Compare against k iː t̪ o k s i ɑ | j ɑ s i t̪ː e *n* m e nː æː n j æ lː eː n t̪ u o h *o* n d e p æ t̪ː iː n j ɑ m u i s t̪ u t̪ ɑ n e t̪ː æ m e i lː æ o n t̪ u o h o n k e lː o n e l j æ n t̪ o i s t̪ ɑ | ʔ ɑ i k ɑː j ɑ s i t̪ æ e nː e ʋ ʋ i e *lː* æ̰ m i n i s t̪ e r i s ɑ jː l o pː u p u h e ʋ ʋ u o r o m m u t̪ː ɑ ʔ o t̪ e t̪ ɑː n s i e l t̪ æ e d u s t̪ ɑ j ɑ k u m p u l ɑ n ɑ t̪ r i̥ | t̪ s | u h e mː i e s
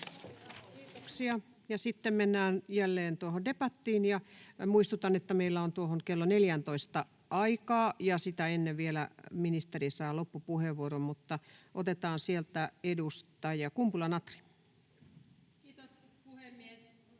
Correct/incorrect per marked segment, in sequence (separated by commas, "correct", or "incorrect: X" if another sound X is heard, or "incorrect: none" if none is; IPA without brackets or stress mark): incorrect: m, correct, incorrect: l